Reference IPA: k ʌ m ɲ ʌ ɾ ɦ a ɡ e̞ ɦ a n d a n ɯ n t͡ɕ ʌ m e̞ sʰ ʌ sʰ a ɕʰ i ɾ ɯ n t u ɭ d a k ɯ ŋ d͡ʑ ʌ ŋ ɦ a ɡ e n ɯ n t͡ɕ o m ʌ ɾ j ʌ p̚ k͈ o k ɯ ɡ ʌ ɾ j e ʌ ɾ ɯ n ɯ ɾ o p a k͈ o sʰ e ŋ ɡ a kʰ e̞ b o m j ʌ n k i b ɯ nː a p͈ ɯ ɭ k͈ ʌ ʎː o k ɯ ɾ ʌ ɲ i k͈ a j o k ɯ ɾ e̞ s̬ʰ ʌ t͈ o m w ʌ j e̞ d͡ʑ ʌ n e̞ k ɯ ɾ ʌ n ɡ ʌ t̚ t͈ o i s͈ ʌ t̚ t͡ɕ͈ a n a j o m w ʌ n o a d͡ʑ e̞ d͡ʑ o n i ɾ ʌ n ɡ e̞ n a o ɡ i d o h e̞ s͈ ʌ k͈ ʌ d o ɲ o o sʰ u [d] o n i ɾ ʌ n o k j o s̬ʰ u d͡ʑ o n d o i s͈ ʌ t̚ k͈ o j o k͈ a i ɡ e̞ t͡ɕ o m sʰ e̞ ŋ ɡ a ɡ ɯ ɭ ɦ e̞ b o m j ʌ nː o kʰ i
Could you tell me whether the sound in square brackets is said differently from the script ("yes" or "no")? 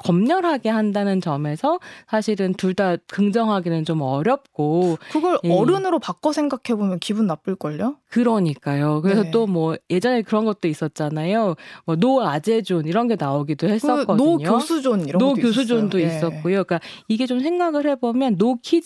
yes